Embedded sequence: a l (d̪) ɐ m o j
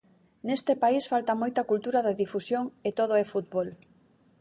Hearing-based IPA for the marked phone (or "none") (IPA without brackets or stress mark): t̪